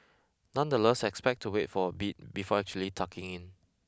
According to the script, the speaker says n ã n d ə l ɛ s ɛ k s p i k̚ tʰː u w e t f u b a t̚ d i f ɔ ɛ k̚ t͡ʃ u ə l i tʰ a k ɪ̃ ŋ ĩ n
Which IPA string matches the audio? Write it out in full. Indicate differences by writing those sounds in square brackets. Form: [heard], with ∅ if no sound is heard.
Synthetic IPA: n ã n d ə l ɛ s ɛ k s p [ɛ] k̚ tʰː u w e t f [ɔ] b [i] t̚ [b] i f ɔ ɛ k̚ t͡ʃ u ə l i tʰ a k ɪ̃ ŋ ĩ n